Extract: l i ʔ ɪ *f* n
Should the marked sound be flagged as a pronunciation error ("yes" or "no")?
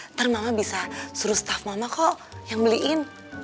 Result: yes